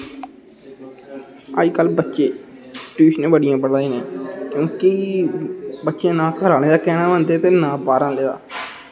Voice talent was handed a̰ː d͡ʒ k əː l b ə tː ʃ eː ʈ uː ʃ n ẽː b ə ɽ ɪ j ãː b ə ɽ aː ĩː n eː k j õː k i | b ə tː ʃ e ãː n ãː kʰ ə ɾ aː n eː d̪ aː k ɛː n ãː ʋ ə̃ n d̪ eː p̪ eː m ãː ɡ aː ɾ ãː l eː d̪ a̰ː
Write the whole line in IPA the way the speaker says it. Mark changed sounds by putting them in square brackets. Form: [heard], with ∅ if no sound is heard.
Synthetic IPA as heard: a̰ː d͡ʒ k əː l b ə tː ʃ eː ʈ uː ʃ n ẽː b ə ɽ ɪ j ãː b ə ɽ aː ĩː n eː k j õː k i | b ə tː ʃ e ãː n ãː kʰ ə ɾ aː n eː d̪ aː k ɛː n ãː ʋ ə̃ n d̪ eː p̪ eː [n] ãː [b] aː ɾ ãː l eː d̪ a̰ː